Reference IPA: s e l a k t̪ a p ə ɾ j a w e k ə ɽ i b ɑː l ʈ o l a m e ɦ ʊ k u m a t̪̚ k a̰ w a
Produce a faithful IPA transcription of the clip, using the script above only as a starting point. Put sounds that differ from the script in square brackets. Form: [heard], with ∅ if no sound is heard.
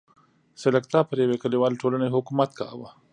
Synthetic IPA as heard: s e l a k t̪ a p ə ɾ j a w e k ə [l] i [w] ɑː l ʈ o l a [n] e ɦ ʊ k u m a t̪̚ k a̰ w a